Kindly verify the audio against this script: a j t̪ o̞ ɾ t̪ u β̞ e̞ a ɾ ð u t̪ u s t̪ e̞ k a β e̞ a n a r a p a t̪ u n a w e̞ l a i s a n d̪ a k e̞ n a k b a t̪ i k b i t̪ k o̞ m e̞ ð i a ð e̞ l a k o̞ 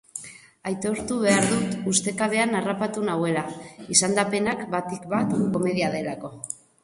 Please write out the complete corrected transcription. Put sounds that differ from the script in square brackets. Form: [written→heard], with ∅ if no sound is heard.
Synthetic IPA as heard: a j t̪ o̞ ɾ t̪ u β̞ e̞ a ɾ ð u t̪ u s t̪ e̞ k a β e̞ a n a r a p a t̪ u n a w e̞ l a i s a n d̪ a [k→p] e̞ n a k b a t̪ i k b [i→a] t̪ k o̞ m e̞ ð i a ð e̞ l a k o̞